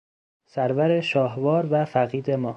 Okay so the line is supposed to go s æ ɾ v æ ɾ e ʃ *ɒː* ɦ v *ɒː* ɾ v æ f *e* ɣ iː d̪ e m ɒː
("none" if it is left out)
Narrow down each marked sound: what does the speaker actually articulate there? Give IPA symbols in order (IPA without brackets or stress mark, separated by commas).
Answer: ɒː, ɒː, æ